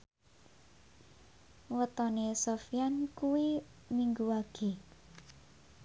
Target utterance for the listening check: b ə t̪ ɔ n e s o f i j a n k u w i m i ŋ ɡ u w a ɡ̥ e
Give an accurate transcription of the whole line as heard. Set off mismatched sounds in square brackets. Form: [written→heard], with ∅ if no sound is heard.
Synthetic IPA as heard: [b→w] ə t̪ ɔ n e s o f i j a n k u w i m i ŋ ɡ u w a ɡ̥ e